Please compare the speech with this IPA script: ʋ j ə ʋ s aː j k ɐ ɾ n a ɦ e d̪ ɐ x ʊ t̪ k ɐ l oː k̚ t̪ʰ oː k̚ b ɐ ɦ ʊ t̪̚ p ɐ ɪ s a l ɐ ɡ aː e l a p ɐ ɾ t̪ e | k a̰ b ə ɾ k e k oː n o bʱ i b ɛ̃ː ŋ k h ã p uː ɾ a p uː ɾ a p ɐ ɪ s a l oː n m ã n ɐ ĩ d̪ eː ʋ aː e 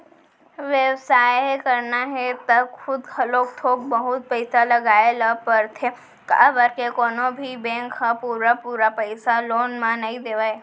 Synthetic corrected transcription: ʋ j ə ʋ s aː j k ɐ ɾ n a ɦ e t̪ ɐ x ʊ d̪ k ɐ l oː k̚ t̪ʰ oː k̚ b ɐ ɦ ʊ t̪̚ p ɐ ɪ s a l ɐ ɡ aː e l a p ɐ ɾ t̪ʰ e | k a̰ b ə ɾ k e k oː n o bʱ i b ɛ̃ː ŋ k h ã p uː ɾ a p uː ɾ a p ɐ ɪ s a l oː n m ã n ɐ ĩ d̪ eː ʋ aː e